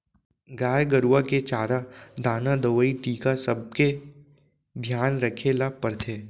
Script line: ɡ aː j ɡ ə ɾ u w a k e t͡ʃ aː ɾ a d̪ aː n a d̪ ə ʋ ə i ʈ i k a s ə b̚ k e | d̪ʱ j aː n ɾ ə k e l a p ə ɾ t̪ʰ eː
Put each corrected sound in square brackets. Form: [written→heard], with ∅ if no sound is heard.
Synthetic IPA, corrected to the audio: ɡ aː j ɡ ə ɾ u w a k e t͡ʃ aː ɾ a d̪ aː n a d̪ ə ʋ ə i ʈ [i→iː] k a s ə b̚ k e | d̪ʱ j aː n ɾ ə [k→kʰ] e l a p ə ɾ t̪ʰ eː